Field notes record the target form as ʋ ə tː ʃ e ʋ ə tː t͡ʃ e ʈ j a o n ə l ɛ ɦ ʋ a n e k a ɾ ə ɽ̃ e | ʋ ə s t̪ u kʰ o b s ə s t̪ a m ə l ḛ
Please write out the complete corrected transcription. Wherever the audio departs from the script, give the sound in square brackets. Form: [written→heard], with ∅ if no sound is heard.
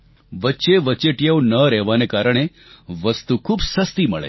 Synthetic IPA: ʋ ə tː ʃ e ʋ ə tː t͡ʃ e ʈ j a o n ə [l→ɾ] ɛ ɦ ʋ a n e k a ɾ ə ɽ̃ e | ʋ ə s t̪ u kʰ [o→u] b s ə s t̪ [a→i] m ə [l→ɭ] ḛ